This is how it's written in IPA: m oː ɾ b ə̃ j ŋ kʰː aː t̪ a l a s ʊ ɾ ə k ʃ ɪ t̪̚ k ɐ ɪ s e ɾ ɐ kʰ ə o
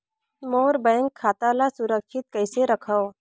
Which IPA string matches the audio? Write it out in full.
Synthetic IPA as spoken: m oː ɾ b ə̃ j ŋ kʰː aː t̪ a l a s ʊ ɾ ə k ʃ ɪ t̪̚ k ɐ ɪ s e ɾ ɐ kʰ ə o